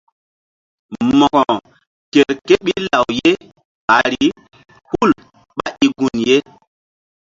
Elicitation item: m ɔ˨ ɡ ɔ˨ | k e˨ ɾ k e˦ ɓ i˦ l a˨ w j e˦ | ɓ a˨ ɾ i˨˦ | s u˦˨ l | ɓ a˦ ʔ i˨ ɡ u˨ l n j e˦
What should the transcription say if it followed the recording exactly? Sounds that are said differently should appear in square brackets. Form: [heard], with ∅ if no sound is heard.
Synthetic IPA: m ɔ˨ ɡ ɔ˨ | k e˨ ɾ k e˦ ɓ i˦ l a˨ w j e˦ | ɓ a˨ ɾ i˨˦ | [h] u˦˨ l | ɓ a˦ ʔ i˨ ɡ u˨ [∅] n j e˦